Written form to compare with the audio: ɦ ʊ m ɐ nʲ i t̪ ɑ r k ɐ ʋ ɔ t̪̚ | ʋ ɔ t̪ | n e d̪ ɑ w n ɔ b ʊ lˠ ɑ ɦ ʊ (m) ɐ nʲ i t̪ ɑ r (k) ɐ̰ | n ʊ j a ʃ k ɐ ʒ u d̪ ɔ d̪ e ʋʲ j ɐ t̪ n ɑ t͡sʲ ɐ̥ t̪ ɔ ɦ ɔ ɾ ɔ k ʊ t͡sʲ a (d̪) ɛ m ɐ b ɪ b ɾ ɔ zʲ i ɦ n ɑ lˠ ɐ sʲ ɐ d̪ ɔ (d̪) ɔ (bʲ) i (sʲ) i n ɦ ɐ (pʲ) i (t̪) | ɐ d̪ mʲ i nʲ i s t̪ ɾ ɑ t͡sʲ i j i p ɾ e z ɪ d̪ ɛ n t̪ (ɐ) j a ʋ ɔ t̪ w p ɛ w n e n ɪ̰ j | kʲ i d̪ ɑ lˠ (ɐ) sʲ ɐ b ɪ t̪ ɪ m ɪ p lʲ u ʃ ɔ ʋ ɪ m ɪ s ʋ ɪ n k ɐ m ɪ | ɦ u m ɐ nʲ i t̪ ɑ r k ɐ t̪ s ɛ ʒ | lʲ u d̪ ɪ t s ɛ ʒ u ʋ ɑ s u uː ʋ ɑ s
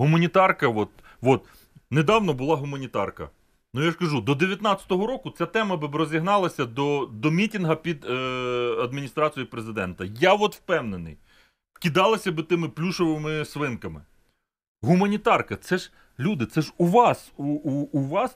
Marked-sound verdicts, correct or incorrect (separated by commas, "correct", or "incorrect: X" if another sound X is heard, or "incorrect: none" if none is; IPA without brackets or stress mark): correct, correct, incorrect: t̪, correct, incorrect: mʲ, incorrect: tʲ, correct, incorrect: d̪, correct, correct